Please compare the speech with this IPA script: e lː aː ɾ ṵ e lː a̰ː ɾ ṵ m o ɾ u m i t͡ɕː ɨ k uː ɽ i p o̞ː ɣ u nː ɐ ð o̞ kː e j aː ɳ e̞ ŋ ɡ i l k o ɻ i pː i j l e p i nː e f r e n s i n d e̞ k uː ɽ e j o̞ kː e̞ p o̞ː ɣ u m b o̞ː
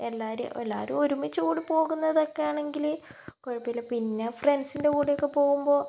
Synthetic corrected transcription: e lː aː ɾ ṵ e lː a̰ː ɾ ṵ m o ɾ u m i t͡ɕː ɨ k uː ɽ i p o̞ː ɣ u nː ɐ ð o̞ kː e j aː ɳ e̞ ŋ ɡ i l k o ɻ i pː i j l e p i nː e f r e n s i n d e̞ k uː ɽ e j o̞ kː e̞ p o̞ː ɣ u m b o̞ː

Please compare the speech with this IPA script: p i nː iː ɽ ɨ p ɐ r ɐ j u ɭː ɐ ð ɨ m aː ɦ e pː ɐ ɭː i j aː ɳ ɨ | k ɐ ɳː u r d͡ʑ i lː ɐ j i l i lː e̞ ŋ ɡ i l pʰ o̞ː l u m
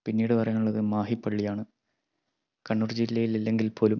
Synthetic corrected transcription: p i nː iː ɽ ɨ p ɐ r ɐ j u ɭː ɐ ð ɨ m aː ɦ i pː ɐ ɭː i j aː ɳ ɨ | k ɐ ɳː u r d͡ʑ i lː ɐ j i l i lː e̞ ŋ ɡ i l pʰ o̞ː l u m

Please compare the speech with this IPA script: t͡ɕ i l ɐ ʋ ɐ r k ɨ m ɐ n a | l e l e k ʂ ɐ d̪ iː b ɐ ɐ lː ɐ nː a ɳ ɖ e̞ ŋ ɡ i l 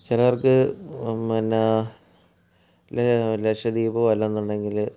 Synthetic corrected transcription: t͡ɕ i l ɐ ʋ ɐ r k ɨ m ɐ n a | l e l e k ʂ ɐ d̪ iː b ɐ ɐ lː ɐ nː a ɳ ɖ e̞ ŋ ɡ i l

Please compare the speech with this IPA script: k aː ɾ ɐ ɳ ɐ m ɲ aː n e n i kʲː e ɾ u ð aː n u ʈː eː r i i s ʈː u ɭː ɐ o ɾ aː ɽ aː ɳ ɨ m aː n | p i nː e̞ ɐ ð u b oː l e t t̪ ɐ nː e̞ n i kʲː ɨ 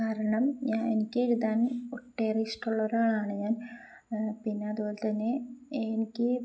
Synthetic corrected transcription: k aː ɾ ɐ ɳ ɐ m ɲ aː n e n i kʲː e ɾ u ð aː n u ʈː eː r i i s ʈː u ɭː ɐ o ɾ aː ɭ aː ɳ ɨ ɲ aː n | p i nː e̞ ɐ ð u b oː l e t t̪ ɐ nː e̞ n i kʲː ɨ

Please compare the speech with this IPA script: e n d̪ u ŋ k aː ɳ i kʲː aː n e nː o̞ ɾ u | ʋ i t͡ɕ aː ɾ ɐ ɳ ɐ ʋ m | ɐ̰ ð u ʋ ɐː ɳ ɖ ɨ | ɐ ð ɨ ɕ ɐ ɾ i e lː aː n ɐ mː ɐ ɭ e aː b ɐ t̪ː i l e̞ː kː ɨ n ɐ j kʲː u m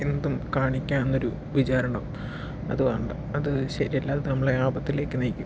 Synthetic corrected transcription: e n d̪ u m k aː ɳ i kʲː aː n e nː o̞ ɾ u | ʋ i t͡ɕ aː ɾ ɐ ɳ ɐ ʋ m | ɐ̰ ð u ʋ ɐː ɳ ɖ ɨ | ɐ ð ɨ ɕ ɐ ɾ i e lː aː n ɐ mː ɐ ɭ e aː b ɐ t̪ː i l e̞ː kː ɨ n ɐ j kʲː u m

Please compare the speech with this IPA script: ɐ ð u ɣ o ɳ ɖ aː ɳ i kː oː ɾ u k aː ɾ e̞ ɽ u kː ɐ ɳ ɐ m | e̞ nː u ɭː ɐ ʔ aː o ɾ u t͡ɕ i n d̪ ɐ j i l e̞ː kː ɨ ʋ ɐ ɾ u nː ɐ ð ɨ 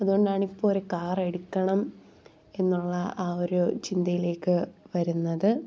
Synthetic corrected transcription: ɐ ð u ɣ o ɳ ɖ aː ɳ i pː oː ɾ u k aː r e̞ ɽ u kː ɐ ɳ ɐ m | e̞ nː u ɭː ɐ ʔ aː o ɾ u t͡ɕ i n d̪ ɐ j i l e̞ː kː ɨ ʋ ɐ ɾ u nː ɐ ð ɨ

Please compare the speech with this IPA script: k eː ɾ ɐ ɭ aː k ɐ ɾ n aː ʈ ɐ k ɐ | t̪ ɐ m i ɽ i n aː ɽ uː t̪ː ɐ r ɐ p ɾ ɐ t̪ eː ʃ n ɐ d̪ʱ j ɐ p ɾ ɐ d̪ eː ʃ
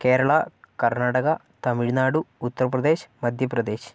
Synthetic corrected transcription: k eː ɾ ɐ ɭ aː k ɐ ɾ n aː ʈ ɐ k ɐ | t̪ ɐ m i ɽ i n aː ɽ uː t̪ː ɐ ɾ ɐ p ɾ ɐ d̪ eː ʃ m ɐ d̪ʱ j ɐ p ɾ ɐ d̪ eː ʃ

